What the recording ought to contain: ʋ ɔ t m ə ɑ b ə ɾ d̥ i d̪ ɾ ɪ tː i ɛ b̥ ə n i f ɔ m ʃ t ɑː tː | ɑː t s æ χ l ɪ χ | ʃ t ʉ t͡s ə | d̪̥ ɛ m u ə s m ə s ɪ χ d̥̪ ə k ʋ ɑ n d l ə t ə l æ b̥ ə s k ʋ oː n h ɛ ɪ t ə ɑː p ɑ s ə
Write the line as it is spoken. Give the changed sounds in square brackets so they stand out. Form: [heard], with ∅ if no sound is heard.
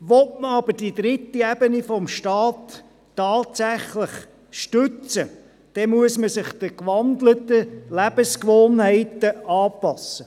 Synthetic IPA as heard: ʋ ɔ t m ə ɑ b ə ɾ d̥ i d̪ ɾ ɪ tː i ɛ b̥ ə n i f ɔ m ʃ t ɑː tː | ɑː t s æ χ l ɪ χ | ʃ t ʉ t͡s ə | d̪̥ ɛ m u ə s m ə s ɪ χ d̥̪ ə k ʋ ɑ n d l ə t ə l æ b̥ ə s k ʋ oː n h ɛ ɪ t ə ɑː p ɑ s ə